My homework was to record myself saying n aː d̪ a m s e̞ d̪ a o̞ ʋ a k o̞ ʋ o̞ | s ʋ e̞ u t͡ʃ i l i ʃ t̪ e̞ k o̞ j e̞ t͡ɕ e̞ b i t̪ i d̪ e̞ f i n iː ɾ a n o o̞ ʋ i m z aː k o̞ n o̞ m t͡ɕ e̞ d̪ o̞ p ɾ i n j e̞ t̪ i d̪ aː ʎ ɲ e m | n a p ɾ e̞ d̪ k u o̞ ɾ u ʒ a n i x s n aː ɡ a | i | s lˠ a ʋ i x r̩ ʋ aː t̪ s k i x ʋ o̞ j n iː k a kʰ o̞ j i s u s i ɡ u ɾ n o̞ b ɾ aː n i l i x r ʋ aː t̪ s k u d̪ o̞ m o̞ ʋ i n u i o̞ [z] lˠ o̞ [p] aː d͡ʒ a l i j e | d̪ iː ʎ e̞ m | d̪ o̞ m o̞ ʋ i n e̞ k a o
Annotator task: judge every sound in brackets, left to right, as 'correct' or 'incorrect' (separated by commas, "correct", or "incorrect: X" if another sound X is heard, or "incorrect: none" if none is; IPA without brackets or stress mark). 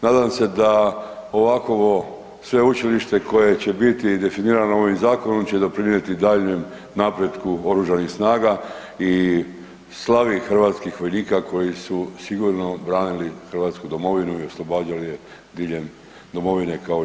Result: incorrect: s, incorrect: b